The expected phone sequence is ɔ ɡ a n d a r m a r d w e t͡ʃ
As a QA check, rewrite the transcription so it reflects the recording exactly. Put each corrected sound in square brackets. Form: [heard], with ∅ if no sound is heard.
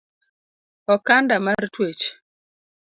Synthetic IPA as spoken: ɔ [k] a n d a [∅] m a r [t] w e t͡ʃ

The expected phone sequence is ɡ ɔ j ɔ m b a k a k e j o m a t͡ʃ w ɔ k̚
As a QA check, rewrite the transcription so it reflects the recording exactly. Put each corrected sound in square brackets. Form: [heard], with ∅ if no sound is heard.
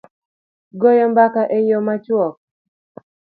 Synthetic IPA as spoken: ɡ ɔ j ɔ m b a k a [ʔ] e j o m a t͡ʃ w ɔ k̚

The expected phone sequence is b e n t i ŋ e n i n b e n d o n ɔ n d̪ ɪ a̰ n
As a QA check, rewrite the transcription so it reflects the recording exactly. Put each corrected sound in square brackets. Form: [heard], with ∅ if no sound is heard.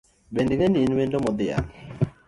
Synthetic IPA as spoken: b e n [d] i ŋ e n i n [w] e n d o [m] ɔ [∅] d̪ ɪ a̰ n

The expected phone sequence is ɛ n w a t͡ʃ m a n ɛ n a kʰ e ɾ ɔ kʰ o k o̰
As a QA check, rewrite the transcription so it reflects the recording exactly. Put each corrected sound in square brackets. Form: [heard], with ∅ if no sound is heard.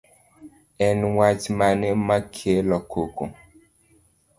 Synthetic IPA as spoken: ɛ n w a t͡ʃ m a n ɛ [m] a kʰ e [l] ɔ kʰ o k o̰

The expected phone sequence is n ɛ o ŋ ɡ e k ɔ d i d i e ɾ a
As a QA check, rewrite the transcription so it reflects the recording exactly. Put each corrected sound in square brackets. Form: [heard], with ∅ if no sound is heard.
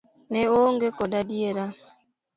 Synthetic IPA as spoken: n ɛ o ŋ ɡ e k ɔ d [a] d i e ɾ a

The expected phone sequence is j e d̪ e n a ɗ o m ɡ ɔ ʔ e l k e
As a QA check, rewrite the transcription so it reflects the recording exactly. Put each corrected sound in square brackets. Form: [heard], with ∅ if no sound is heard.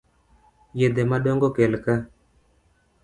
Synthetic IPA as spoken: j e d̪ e [m] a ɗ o [ŋ] ɡ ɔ [k] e l k [a]

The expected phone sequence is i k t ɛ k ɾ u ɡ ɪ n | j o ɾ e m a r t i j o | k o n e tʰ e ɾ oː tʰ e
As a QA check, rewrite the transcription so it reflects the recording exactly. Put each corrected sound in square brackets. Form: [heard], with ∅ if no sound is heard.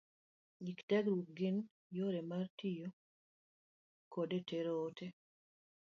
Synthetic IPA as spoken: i k t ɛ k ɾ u ɡ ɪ n | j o ɾ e m a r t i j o | k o [d] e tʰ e ɾ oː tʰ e

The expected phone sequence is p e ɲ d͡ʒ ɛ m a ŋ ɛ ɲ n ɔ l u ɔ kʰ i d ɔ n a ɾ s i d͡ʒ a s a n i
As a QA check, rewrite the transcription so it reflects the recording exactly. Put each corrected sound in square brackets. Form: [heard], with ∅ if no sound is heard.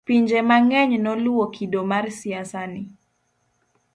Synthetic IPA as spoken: p [i] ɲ d͡ʒ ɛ m a ŋ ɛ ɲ n ɔ l u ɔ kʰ i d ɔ [m] a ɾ s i [∅] a s a n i

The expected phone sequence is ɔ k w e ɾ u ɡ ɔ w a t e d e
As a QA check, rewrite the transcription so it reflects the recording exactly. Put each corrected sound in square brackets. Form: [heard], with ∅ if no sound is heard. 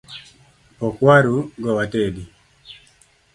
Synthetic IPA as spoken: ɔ k w [a] ɾ u ɡ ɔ w a t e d [i]

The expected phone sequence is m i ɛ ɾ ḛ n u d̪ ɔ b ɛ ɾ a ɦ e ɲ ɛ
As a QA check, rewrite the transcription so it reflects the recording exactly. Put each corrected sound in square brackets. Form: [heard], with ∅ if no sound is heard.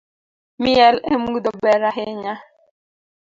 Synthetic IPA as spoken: m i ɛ [l] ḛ [m] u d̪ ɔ b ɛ ɾ a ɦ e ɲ [a]

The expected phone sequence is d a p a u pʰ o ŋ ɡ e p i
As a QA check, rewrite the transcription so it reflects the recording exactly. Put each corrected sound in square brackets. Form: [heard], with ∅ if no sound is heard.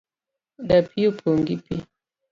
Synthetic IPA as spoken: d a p [i] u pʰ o ŋ ɡ [i] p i

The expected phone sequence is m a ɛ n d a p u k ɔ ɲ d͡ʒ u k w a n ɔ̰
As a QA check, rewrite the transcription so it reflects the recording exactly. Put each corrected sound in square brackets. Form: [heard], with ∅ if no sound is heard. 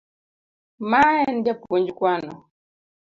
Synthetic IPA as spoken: m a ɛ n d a p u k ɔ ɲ d͡ʒ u k w a n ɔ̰

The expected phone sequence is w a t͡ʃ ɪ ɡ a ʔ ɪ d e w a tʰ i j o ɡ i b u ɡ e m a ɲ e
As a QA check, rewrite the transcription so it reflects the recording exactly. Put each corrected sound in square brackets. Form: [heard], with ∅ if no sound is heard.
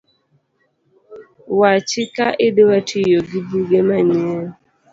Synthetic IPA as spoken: w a t͡ʃ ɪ [k] a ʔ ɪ d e w a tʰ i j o ɡ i b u ɡ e m a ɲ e

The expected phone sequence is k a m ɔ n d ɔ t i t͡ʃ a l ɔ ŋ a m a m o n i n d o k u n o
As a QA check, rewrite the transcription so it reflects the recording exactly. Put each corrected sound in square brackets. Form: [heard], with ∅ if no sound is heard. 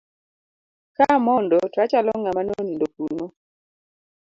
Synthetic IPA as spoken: k a m ɔ n d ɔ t [a] t͡ʃ a l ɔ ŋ a m a [n] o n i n d o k u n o

